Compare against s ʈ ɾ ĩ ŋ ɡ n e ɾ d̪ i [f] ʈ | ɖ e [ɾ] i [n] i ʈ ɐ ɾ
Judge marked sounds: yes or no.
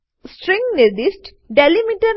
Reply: no, no, no

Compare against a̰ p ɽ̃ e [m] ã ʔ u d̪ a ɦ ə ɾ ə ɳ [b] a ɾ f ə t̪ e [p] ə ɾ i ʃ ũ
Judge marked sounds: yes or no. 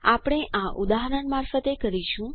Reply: no, no, no

